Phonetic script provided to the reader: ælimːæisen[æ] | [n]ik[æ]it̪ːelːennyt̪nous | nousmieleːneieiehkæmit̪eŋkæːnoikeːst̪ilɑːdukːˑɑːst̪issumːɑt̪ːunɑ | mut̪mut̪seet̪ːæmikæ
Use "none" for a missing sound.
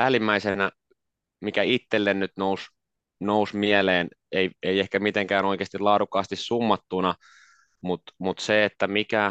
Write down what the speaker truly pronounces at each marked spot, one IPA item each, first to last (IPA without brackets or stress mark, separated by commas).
æ, m, æ